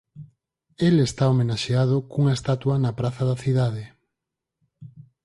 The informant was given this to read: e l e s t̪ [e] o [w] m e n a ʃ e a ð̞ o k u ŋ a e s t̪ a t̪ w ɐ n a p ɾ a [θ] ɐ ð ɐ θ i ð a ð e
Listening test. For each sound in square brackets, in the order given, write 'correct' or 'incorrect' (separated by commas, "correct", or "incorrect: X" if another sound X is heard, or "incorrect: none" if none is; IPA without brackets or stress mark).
incorrect: a, incorrect: none, correct